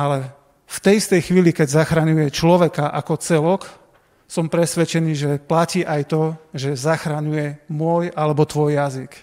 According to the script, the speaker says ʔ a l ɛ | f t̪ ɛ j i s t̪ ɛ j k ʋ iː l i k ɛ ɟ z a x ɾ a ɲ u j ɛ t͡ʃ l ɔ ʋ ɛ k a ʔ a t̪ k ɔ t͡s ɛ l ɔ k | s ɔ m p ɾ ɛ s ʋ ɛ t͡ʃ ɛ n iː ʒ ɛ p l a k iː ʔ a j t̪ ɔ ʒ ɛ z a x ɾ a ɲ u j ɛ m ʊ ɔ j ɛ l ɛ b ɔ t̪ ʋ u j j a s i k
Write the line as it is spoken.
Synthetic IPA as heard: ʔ a l ɛ | f t̪ ɛ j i s t̪ ɛ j x ʋ iː l i k ɛ ɟ z a x ɾ a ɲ u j ɛ t͡ʃ l ɔ ʋ ɛ k a ʔ a k ɔ t͡s ɛ l ɔ k | s ɔ m p ɾ ɛ s ʋ ɛ t͡ʃ ɛ n iː ʒ ɛ p l a c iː ʔ a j t̪ ɔ ʒ ɛ z a x ɾ a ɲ u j ɛ m ʊ ɔ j a l ɛ b ɔ t̪ ʋ ɔ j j a z i k